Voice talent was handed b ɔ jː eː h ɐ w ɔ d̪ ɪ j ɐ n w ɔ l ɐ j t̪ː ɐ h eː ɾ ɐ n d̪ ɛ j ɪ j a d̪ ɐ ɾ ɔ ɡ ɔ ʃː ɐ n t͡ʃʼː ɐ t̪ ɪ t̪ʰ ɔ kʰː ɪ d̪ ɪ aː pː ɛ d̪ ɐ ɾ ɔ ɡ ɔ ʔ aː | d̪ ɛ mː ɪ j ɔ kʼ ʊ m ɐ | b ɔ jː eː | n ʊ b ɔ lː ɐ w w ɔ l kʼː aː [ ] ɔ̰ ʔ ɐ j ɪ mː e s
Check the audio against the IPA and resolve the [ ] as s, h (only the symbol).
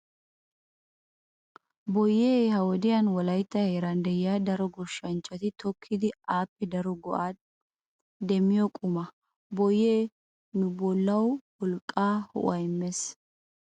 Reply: h